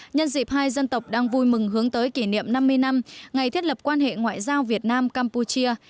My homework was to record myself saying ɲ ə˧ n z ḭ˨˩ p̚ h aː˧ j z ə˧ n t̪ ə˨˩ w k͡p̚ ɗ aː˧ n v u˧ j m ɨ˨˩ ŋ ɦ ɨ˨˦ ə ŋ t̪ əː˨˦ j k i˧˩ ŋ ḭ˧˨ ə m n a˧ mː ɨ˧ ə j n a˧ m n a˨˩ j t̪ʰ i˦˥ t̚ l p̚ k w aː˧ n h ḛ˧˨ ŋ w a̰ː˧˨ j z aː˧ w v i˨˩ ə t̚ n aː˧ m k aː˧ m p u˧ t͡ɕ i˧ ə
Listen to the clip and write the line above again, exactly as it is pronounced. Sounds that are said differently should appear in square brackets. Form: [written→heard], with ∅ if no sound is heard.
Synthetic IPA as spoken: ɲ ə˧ n z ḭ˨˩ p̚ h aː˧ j z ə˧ n t̪ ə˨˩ w k͡p̚ ɗ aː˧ [n→ŋ] v u˧ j m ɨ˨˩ ŋ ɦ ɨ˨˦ ə ŋ t̪ əː˨˦ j k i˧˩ [ŋ→n] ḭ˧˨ ə m n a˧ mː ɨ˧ ə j n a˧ m [n→ŋ] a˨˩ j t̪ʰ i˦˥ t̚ l p̚ k w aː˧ n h ḛ˧˨ ŋ w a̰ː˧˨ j z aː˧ w v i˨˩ ə t̚ n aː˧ m k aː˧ m p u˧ t͡ɕ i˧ ə